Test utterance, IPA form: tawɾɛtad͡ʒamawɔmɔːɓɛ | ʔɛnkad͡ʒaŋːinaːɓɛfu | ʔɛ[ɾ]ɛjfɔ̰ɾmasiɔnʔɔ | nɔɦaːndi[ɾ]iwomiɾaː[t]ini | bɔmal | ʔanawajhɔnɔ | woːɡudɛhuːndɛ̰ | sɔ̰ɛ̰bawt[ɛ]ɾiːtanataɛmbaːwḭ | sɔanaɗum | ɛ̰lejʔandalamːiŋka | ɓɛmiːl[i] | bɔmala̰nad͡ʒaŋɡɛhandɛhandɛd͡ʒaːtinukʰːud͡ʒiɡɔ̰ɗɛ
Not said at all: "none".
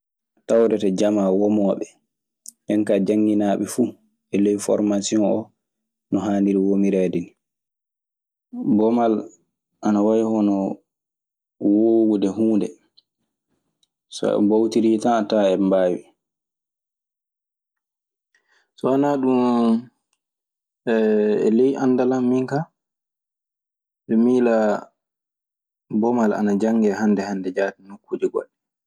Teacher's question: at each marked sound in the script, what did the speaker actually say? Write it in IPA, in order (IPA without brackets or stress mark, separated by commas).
l, ɾ, d, i, a